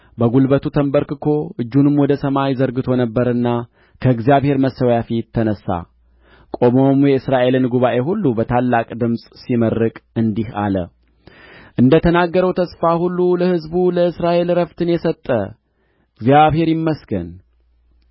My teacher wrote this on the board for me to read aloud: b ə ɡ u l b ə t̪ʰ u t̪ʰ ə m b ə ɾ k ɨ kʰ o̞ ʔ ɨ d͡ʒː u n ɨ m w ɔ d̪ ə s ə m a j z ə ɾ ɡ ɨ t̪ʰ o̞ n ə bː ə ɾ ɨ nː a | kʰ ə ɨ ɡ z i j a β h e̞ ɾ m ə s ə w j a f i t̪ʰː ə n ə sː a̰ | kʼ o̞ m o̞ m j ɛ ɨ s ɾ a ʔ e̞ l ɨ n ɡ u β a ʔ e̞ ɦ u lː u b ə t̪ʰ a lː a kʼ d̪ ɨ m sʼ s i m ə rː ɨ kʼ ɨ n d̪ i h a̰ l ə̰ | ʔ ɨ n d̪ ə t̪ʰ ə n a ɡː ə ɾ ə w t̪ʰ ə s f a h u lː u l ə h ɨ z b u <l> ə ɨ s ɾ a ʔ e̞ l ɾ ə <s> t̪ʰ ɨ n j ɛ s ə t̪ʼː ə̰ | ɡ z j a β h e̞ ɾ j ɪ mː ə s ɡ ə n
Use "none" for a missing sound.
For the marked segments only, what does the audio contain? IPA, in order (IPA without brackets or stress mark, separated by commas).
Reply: l, f